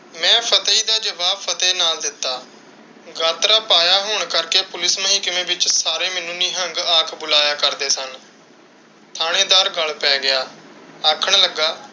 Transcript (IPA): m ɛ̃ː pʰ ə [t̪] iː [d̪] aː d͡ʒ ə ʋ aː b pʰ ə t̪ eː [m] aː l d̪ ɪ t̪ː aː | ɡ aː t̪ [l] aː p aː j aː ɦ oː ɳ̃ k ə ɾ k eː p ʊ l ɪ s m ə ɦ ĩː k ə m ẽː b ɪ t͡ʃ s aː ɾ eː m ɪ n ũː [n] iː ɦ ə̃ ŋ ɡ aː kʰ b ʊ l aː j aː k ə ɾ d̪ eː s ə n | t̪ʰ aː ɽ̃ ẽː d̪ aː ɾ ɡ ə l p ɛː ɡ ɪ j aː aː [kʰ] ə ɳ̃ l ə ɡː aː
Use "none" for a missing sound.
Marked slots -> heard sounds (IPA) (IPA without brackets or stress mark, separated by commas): t̪, d̪, n, ɾ, n, kʰ